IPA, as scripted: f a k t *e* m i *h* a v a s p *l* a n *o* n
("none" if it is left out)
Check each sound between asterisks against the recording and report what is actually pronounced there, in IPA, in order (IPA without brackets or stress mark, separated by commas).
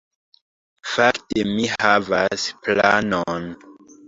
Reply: e, h, l, o